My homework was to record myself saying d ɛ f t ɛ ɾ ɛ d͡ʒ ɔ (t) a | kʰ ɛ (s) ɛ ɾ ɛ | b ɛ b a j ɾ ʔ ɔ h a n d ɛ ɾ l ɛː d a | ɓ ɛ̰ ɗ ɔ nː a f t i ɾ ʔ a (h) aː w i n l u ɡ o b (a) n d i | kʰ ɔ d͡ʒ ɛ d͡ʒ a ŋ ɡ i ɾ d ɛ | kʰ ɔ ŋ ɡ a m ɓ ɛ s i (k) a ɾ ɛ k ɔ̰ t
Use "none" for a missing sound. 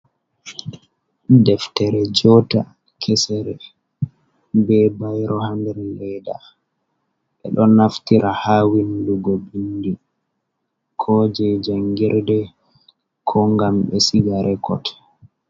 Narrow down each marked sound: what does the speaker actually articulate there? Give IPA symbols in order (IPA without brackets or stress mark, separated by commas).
t, s, h, i, ɡ